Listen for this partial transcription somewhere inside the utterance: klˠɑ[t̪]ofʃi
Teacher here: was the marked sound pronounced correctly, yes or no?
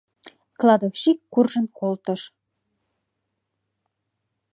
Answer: no